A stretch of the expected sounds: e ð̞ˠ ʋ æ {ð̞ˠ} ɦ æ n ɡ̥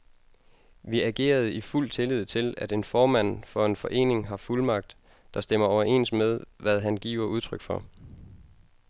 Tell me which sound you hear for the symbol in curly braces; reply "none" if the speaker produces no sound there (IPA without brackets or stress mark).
ð̞ˠ